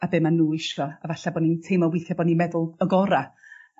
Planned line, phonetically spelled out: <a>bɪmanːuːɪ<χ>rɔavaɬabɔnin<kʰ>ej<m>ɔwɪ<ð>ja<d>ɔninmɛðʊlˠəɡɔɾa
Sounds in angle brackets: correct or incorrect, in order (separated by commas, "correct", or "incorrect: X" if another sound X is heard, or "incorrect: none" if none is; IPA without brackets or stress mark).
correct, incorrect: ʃ, incorrect: tʰ, correct, incorrect: θ, incorrect: b